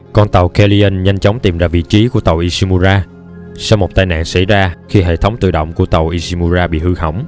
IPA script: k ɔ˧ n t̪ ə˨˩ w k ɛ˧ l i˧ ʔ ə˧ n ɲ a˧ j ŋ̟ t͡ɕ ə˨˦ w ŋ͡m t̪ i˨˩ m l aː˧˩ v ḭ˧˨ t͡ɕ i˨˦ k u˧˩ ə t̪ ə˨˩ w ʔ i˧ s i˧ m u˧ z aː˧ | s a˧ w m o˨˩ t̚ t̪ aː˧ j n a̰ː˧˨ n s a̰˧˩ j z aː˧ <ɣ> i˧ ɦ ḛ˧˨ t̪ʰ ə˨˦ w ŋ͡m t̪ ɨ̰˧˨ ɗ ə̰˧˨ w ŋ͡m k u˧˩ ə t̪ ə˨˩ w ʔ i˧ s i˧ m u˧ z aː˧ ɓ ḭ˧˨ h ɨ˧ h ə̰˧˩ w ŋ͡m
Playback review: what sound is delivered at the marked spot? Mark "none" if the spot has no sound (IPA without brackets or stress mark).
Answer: x